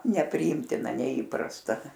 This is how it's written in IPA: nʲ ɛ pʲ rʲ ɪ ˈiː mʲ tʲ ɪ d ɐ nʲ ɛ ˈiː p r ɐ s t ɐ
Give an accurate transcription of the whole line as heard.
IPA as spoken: nʲ ɛ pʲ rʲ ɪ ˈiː mʲ tʲ ɪ n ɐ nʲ ɛ ˈiː p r ɐ s t ɐ